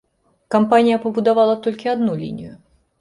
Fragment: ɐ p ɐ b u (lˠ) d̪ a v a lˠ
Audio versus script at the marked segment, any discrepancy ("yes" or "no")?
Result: yes